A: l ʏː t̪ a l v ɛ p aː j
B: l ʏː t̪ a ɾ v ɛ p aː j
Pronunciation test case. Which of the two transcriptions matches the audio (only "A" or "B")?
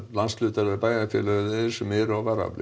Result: B